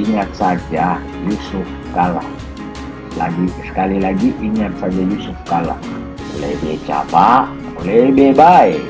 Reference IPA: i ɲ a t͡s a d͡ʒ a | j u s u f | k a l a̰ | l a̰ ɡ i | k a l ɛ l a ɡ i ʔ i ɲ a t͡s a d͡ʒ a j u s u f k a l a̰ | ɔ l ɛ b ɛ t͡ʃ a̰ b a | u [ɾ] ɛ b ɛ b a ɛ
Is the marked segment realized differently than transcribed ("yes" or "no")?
yes